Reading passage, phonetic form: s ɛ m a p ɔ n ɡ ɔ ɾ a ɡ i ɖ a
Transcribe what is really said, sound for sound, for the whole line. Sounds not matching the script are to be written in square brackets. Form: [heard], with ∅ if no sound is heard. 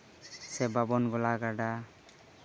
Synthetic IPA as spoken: s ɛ [b] a [b] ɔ n ɡ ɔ [l] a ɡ [a] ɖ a